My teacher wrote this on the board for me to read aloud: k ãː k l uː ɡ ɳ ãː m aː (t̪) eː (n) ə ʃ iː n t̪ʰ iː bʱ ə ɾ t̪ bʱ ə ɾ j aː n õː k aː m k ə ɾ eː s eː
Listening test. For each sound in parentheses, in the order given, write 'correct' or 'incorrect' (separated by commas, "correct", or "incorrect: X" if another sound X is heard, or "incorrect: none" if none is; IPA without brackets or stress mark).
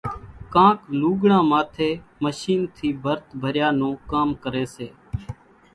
incorrect: t̪ʰ, incorrect: m